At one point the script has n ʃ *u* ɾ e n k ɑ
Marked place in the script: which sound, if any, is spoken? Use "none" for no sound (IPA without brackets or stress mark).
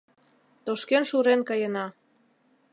u